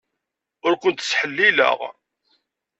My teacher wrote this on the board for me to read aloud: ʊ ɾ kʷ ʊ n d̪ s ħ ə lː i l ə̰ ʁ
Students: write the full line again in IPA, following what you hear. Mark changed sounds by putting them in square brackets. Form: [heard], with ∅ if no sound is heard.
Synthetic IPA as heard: ʊ ɾ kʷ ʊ n [t̪] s ħ ə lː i l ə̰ ʁ